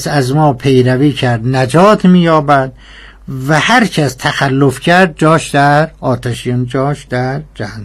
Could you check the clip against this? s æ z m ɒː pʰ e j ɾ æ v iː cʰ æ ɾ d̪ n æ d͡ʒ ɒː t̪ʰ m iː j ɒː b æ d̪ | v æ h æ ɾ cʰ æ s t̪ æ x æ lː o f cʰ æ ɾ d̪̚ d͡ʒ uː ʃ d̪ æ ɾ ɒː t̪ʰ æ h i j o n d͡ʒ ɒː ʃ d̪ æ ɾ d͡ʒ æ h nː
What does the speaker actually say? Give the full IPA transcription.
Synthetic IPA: s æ z m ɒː pʰ e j ɾ æ v iː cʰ æ ɾ d̪ n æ d͡ʒ ɒː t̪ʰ m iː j ɒː b æ d̪ | v æ h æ ɾ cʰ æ s t̪ʰ æ x æ lː o f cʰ æ ɾ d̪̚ d͡ʒ ɒː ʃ d̪ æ ɾ ɒː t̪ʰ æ ʃ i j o n d͡ʒ ɒː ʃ d̪ æ ɾ d͡ʒ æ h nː